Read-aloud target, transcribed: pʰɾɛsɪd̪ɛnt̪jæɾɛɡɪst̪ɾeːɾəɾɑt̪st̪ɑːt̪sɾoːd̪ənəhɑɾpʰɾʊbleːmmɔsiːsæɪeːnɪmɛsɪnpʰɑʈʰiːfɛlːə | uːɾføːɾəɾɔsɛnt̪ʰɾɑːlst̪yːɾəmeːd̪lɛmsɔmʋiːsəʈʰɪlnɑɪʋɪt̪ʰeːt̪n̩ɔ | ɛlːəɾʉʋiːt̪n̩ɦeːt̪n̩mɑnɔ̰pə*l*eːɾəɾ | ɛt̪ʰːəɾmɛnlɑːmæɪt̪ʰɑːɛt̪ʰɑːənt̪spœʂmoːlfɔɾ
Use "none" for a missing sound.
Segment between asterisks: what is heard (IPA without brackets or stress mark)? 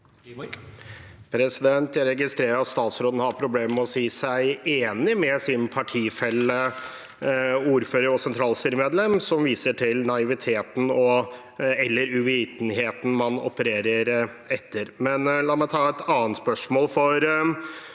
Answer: ɾ